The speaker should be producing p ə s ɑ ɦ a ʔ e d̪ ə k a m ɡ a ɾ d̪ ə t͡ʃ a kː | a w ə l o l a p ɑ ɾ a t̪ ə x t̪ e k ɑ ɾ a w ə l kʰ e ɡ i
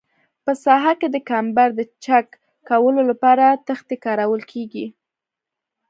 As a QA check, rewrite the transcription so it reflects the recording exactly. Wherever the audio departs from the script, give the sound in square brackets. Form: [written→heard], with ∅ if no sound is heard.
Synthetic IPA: p ə s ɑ ɦ a [ʔ→k] e d̪ ə k a m [ɡ→b] a ɾ d̪ ə t͡ʃ a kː | a w ə l o l a p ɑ ɾ a t̪ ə x t̪ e k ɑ ɾ a w ə l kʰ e ɡ i